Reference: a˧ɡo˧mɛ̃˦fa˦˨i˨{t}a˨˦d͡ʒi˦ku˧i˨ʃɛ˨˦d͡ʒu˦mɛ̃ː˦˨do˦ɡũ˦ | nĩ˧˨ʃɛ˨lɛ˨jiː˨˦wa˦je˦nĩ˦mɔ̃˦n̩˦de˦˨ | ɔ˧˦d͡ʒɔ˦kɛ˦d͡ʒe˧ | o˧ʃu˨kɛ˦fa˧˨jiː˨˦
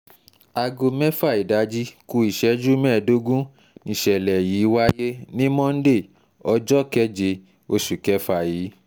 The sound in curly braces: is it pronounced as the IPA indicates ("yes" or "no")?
no